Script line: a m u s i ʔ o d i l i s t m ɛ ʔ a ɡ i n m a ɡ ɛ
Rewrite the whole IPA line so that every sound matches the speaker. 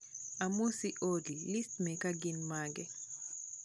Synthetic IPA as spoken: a m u s i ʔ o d i l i s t m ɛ k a ɡ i n m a ɡ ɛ